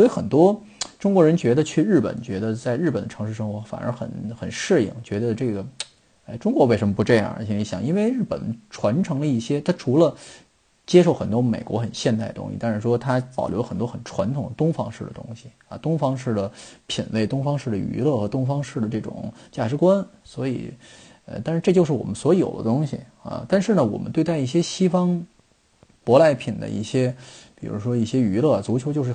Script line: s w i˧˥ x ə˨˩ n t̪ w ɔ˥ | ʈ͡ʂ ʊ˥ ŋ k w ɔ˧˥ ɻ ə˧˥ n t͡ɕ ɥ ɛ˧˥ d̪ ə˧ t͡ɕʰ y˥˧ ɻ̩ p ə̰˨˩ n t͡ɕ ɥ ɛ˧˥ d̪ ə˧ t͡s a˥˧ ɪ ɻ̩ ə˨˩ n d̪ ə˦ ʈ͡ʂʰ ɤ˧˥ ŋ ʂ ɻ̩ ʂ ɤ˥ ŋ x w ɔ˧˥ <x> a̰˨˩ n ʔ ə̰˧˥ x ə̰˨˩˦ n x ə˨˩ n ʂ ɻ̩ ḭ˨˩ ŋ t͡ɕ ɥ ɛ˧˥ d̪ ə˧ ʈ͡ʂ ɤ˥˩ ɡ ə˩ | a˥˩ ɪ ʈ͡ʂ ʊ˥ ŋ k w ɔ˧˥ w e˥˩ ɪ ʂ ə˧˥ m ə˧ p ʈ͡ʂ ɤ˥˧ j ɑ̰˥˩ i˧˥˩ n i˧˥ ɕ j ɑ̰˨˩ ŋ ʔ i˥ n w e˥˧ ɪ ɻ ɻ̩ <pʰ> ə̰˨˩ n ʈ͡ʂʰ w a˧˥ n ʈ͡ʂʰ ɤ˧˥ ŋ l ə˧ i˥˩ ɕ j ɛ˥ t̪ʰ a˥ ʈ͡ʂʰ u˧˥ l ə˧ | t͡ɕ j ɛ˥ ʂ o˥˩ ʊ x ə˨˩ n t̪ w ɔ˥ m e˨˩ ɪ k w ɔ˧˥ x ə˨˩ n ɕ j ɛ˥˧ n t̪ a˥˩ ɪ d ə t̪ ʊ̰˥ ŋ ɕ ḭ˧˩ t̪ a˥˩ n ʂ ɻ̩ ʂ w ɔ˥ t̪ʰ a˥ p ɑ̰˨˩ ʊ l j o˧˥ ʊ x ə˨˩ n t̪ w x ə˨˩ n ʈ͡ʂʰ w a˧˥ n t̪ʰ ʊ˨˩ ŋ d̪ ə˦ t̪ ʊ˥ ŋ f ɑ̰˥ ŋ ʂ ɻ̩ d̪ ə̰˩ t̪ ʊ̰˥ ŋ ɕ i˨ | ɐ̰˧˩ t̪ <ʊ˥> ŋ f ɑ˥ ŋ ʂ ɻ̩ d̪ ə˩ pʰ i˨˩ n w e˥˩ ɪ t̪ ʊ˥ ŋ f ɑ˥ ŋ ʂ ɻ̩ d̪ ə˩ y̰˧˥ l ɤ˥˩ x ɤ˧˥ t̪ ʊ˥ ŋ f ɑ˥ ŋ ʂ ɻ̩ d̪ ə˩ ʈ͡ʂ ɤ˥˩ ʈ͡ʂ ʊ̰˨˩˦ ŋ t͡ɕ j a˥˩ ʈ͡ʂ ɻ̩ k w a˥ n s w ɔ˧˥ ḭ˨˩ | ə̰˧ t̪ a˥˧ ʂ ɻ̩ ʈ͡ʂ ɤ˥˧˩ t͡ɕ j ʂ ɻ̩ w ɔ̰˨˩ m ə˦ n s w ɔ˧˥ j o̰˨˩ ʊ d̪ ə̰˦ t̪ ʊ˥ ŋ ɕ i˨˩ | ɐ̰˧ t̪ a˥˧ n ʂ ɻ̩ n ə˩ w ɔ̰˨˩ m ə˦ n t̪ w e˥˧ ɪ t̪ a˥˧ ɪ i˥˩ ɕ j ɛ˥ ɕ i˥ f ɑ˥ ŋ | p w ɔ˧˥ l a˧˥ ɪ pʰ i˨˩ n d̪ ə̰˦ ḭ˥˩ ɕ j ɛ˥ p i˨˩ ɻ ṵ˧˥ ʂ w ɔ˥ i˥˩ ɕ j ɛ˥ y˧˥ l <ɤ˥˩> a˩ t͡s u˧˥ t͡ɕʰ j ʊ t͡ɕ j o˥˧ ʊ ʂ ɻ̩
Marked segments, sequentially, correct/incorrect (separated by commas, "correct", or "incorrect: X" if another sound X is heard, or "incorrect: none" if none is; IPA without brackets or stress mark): incorrect: f, incorrect: p, correct, correct